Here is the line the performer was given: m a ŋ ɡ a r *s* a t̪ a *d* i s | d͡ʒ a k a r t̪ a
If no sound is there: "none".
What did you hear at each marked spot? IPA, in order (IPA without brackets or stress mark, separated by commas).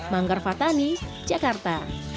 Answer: f, n